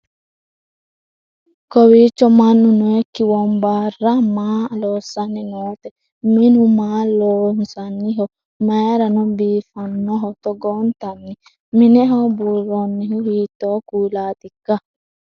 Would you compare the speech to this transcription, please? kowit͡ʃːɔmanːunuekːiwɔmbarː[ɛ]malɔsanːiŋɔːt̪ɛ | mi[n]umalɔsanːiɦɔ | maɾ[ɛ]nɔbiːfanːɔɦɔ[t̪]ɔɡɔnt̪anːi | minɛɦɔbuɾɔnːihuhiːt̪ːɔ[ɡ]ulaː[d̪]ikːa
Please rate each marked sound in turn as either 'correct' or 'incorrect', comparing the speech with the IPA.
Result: incorrect, correct, incorrect, correct, incorrect, incorrect

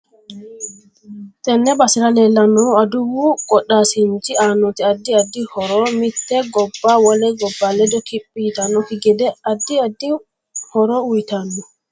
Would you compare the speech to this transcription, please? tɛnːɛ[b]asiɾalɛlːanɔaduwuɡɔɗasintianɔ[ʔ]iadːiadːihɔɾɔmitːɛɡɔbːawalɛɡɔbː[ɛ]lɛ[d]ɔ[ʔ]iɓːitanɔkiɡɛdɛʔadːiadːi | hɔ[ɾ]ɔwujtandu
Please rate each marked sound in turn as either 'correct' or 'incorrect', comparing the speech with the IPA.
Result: correct, incorrect, incorrect, correct, incorrect, correct

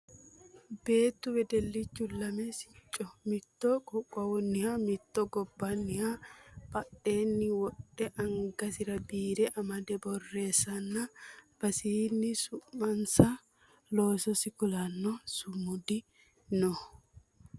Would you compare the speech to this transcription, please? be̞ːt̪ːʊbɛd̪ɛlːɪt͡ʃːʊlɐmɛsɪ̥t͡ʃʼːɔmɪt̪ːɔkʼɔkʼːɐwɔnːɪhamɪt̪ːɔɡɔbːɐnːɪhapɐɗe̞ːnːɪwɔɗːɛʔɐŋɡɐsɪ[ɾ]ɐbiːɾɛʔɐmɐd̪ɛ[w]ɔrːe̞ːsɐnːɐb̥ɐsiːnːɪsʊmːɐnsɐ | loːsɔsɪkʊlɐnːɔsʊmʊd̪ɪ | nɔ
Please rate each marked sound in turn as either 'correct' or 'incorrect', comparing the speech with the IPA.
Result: correct, incorrect

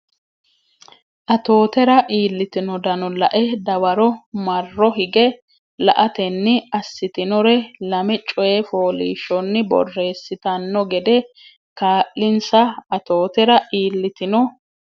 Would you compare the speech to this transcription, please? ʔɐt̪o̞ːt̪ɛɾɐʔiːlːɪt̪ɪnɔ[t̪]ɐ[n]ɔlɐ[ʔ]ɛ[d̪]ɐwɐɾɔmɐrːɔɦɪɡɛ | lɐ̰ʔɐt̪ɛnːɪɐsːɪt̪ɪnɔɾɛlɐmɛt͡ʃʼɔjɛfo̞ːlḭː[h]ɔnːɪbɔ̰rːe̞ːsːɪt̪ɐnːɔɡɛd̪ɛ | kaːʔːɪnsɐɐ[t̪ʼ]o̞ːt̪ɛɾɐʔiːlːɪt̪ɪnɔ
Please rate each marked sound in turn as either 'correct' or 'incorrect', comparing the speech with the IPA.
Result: incorrect, correct, correct, correct, incorrect, incorrect

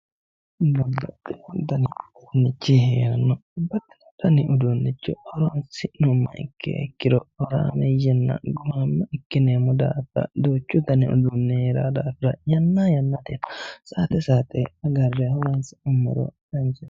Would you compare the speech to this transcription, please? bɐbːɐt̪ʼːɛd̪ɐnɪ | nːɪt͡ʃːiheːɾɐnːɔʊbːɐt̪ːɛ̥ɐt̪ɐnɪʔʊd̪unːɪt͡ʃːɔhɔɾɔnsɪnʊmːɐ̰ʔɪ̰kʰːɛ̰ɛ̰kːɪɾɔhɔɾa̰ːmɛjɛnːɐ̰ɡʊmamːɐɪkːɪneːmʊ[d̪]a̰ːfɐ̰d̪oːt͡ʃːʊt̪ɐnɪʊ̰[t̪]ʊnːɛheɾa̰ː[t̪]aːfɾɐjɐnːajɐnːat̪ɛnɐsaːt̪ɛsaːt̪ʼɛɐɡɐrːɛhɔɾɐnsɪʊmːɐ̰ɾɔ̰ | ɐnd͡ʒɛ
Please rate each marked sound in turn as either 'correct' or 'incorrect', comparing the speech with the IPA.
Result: correct, incorrect, incorrect

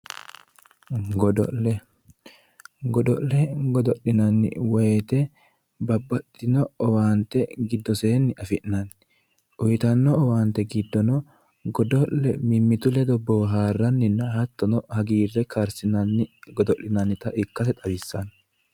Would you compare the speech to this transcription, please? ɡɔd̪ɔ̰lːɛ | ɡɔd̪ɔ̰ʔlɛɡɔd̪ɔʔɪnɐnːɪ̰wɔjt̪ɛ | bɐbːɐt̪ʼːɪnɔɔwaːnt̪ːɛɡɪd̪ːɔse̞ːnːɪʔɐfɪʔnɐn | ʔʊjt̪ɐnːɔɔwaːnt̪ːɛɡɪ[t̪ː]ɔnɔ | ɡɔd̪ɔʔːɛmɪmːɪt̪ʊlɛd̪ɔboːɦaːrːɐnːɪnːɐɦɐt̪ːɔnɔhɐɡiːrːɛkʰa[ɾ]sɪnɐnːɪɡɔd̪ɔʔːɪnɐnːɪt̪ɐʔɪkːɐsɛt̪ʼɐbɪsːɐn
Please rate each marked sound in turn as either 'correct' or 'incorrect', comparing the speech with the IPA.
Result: incorrect, correct

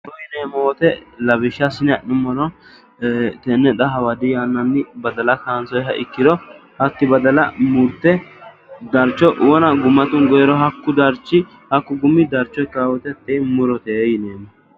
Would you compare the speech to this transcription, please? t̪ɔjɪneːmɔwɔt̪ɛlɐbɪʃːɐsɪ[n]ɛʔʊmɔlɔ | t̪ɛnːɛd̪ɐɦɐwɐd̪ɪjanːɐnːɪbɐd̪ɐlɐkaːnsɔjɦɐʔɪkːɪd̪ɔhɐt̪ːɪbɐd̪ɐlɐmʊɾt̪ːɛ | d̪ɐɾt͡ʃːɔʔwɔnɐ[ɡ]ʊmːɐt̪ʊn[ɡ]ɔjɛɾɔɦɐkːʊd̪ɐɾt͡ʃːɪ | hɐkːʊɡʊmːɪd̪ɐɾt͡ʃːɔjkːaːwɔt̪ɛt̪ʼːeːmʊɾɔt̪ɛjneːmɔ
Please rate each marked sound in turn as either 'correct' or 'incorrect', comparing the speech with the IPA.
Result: correct, correct, correct

